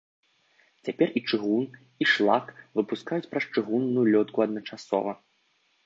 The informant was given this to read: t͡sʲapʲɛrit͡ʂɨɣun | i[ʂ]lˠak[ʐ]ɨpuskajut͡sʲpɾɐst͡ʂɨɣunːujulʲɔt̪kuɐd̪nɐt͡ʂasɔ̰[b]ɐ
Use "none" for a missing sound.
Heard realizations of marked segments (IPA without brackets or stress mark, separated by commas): ʂ, v, v